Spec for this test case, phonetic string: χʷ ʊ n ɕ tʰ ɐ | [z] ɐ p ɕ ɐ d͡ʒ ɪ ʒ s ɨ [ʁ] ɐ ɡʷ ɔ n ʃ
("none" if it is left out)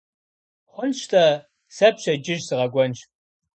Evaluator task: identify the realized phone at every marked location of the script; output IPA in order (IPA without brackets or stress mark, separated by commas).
s, ʁ